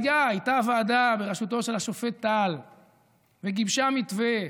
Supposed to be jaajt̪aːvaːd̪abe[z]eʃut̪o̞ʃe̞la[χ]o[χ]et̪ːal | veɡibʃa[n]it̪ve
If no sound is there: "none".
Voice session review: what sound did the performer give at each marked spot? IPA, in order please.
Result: ʁ, ʃ, f, m

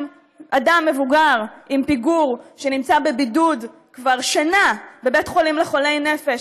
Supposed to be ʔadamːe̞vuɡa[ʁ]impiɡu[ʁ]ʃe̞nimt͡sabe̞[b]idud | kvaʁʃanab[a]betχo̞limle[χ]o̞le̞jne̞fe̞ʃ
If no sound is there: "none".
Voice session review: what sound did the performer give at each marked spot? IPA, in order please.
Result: ʁ, ʁ, b, e, χ

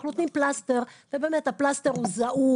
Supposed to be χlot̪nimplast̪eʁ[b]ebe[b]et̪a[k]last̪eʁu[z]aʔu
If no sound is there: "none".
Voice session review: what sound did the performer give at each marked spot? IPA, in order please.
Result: v, m, p, z

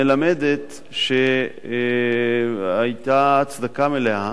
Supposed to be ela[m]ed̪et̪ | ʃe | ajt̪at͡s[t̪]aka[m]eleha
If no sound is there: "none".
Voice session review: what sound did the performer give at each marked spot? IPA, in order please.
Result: m, d̪, m

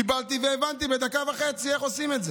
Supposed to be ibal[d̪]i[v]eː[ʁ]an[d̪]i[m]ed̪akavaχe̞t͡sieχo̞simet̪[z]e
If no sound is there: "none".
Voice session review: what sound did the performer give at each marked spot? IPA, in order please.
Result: t̪, v, v, t̪, b, z

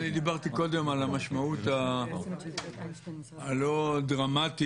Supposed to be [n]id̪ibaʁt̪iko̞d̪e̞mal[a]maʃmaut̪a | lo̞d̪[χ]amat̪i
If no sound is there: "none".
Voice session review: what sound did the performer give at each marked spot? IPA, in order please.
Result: n, a, ʁ

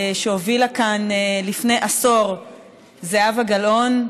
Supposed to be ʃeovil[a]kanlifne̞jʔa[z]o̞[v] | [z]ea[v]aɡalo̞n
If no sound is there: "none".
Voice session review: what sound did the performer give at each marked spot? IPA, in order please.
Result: a, s, ʁ, z, v

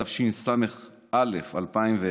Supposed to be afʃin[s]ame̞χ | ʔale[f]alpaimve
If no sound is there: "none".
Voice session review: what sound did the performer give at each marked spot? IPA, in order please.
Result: s, f

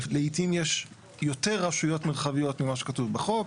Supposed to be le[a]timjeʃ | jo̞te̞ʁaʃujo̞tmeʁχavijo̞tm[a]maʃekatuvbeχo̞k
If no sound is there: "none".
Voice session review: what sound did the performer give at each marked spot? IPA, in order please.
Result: i, i

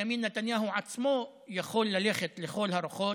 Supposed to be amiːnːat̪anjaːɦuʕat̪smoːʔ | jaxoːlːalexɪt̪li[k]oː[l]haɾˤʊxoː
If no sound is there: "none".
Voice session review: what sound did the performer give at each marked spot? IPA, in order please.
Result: x, l

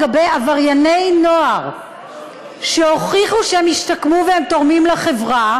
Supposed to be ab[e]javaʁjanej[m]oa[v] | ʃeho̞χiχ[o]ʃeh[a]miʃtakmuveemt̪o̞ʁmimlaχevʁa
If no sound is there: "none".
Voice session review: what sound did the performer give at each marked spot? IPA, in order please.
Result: e, n, ʁ, u, e

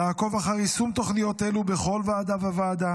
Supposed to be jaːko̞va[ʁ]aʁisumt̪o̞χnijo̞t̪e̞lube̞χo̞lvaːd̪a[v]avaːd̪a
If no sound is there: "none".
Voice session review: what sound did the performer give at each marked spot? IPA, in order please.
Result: χ, v

